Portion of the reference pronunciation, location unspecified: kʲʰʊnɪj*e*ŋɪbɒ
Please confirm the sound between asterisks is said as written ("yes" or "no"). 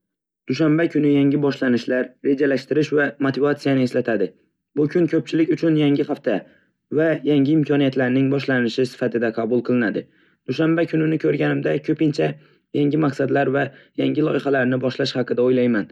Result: no